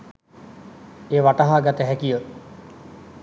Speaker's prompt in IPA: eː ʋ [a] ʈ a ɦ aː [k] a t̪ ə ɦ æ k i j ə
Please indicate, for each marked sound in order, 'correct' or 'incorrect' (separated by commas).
correct, incorrect